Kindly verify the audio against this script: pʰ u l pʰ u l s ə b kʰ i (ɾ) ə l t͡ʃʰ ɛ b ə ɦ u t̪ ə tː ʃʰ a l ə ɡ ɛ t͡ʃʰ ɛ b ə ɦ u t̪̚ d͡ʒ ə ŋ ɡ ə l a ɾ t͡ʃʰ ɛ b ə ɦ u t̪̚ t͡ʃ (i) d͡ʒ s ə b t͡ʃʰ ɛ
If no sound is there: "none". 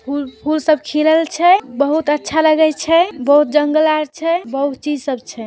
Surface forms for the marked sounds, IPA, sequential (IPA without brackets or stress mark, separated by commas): l, i